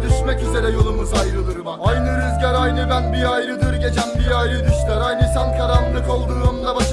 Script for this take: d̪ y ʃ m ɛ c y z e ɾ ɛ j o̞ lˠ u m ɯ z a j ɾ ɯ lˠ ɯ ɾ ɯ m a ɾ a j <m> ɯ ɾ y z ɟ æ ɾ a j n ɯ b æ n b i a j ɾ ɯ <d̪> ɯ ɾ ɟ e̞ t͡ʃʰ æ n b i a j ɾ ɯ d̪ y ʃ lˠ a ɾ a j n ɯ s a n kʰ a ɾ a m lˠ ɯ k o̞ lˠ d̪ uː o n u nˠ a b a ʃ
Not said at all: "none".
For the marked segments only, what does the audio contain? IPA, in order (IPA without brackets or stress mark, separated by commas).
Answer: n, d̪